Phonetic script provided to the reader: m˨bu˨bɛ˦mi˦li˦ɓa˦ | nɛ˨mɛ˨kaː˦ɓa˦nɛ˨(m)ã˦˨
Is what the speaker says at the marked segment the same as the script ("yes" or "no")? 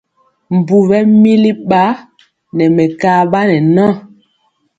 no